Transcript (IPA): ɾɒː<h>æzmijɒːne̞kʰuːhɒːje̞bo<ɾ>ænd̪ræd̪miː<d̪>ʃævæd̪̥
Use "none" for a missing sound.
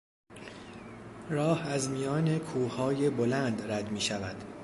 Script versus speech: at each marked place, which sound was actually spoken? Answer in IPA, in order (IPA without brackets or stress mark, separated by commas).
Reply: h, l, none